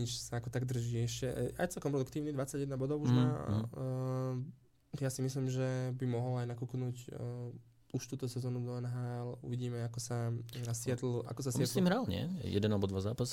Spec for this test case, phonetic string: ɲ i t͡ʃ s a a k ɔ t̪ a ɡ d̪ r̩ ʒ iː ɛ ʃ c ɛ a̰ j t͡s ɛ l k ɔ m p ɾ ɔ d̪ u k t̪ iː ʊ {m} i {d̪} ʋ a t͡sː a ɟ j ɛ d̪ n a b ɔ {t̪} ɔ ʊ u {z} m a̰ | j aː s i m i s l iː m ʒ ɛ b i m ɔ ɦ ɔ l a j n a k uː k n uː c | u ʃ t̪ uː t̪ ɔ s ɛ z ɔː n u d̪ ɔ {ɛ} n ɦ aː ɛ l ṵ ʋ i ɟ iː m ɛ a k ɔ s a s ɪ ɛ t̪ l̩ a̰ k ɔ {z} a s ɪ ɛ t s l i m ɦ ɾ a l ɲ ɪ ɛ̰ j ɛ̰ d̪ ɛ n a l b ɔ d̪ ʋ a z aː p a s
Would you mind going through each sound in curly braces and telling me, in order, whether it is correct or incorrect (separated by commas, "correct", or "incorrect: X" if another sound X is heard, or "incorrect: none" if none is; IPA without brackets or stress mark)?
incorrect: n, correct, incorrect: d̪, incorrect: ʒ, correct, incorrect: s